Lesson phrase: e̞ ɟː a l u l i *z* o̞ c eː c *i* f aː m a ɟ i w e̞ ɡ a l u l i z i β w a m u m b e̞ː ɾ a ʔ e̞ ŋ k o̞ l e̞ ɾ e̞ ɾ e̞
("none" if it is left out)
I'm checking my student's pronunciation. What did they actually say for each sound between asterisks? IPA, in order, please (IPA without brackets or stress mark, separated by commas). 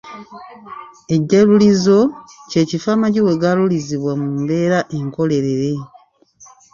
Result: z, i